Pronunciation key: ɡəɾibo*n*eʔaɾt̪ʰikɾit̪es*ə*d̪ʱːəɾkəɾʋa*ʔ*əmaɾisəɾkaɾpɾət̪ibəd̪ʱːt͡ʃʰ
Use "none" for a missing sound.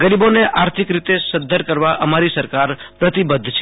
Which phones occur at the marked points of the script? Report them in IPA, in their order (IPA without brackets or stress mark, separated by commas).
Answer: n, ə, ʔ